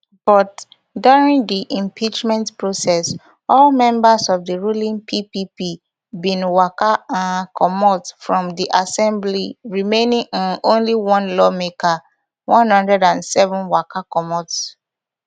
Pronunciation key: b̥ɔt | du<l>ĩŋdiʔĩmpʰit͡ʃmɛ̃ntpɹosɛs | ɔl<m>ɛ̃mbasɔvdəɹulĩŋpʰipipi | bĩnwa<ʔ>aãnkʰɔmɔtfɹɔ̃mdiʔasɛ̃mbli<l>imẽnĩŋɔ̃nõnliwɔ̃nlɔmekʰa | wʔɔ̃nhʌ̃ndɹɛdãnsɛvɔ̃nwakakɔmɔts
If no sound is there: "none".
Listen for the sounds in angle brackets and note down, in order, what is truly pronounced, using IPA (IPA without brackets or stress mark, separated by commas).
ɹ, m, k, ɹ